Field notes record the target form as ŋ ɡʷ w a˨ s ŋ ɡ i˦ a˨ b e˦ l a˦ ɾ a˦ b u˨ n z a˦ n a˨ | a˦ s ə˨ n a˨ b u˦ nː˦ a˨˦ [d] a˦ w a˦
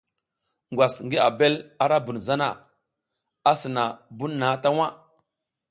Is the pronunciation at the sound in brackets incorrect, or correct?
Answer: incorrect